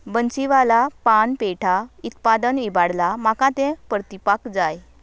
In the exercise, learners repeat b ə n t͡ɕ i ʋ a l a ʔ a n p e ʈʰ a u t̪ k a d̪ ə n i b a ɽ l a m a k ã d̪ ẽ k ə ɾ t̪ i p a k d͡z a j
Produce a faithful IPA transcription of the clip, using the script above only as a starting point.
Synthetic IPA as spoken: b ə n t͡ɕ i ʋ a l a p a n p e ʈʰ a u t̪ p a d̪ ə n i b a ɽ l a m a k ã t̪ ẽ p ə ɾ t̪ i p a k d͡z a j